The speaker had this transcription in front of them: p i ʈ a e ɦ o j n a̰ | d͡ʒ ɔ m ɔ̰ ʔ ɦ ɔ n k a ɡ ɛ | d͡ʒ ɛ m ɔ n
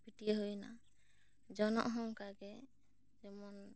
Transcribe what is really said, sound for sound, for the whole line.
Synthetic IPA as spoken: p i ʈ i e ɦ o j n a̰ | d͡ʒ ɔ n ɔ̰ ʔ ɦ ɔ ŋ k a ɡ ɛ | d͡ʒ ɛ m ɔ n